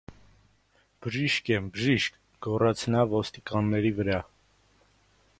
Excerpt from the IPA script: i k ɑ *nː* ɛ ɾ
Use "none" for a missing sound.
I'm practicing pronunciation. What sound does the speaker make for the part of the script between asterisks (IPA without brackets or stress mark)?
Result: nː